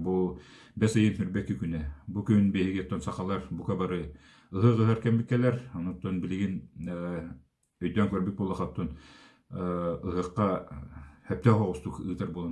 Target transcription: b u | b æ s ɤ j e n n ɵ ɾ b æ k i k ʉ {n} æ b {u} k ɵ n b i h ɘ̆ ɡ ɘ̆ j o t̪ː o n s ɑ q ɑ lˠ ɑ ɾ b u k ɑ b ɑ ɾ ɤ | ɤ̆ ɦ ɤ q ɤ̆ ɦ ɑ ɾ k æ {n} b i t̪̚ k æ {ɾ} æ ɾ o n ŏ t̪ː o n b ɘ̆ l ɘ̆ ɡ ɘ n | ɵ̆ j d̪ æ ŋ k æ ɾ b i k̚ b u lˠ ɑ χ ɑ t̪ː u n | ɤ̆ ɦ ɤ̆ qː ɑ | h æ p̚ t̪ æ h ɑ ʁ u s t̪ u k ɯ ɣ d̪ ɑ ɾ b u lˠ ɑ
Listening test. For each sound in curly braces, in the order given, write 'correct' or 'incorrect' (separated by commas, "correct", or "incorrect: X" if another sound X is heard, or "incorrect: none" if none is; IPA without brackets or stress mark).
correct, correct, incorrect: m, incorrect: l